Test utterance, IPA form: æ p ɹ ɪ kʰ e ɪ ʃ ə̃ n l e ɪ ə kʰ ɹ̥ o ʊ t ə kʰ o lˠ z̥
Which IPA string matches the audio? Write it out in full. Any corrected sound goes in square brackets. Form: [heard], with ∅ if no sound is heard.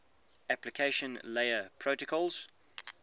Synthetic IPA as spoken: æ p [l] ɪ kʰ e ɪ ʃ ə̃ n l e ɪ ə [pʰ] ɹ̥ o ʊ t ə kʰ [ɔ] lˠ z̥